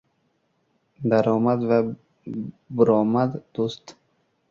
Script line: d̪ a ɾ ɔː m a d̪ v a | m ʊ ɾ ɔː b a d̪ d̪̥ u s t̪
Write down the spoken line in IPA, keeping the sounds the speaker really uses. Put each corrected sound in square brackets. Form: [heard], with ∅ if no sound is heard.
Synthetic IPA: d̪ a ɾ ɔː m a d̪ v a | [b] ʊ ɾ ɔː [m] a d̪ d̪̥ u s t̪